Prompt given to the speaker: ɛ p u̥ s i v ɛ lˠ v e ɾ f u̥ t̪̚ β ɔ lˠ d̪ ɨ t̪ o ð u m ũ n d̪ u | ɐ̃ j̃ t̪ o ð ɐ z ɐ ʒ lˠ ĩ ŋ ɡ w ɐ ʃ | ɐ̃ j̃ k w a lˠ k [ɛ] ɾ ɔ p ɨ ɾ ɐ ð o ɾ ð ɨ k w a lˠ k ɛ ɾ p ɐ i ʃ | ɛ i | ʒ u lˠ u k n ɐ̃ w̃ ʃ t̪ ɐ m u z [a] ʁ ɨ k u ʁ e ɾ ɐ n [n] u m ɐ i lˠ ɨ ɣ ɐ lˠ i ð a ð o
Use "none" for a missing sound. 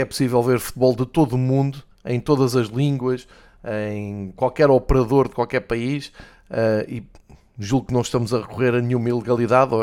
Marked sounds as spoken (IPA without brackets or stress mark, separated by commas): ɛ, ɐ, ɲ